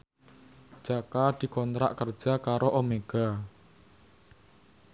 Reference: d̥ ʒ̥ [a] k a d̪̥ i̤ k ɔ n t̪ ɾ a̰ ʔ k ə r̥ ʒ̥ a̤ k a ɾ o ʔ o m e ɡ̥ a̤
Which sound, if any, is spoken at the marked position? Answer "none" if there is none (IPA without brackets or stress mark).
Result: a